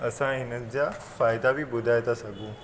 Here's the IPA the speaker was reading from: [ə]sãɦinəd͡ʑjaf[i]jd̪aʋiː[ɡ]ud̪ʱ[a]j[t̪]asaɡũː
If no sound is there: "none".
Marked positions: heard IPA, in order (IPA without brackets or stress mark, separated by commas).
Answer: ə, a, b, a, t̪